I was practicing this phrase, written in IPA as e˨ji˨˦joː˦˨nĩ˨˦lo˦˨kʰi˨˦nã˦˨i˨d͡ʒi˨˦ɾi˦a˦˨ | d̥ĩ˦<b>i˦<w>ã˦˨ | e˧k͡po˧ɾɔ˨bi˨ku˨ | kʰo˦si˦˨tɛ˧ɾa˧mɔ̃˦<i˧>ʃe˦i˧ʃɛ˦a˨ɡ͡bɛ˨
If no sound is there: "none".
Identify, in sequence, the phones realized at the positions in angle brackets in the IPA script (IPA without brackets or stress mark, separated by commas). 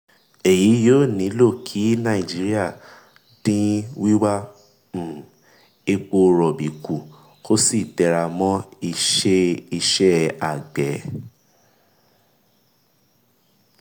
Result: w, w, i˧